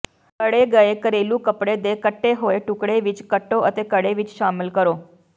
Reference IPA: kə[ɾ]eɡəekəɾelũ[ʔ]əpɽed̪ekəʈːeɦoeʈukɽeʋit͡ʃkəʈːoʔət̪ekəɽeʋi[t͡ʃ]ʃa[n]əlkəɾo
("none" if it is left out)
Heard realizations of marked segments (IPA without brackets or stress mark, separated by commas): ɽ, k, t͡ʃ, m